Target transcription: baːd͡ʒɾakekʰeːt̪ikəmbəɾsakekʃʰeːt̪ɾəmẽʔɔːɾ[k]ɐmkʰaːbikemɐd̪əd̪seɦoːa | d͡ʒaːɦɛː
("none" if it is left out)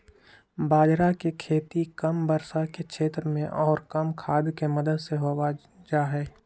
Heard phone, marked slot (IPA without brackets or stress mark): k